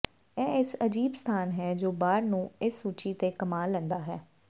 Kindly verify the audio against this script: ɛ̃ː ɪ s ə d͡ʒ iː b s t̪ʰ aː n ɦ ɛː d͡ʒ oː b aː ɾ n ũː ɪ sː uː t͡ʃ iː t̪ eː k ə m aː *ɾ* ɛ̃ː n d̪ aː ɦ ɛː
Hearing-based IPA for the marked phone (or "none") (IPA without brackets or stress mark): l